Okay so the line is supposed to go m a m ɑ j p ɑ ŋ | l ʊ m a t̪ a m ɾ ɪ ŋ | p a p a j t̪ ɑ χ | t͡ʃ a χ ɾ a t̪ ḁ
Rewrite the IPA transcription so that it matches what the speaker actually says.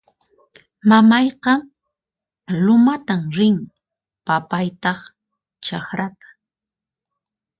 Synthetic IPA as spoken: m a m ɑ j q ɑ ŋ | l ʊ m a t̪ a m ɾ ɪ ŋ | p a p a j t̪ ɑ χ | t͡ʃ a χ ɾ a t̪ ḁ